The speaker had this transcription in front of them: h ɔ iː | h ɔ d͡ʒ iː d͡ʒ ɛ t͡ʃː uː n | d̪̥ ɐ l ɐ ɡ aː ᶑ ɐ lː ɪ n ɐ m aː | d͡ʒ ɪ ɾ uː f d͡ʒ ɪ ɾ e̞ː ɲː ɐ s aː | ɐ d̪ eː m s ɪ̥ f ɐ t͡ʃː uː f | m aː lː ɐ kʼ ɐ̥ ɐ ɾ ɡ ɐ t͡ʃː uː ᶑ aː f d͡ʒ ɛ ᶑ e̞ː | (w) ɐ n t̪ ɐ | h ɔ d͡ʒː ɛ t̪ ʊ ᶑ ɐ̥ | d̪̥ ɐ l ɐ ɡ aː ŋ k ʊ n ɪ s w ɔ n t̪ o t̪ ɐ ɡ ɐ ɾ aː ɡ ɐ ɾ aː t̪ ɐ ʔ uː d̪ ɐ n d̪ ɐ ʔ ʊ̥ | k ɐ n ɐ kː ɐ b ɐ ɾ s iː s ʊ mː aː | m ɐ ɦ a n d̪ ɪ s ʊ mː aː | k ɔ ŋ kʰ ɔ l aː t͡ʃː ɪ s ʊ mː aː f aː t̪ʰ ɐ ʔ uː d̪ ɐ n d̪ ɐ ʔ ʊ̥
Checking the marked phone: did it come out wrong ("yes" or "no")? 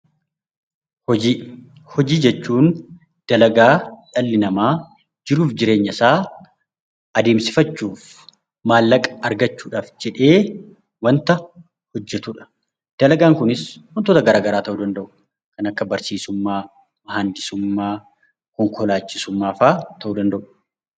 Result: no